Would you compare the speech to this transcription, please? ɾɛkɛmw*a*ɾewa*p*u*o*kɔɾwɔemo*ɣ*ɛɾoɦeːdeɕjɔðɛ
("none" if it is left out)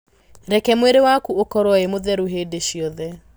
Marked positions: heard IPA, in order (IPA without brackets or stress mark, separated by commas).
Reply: e, k, o, ð